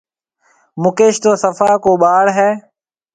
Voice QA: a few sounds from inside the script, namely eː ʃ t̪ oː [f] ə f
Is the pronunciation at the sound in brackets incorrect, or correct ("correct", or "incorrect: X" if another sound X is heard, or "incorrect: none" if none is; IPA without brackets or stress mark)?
incorrect: s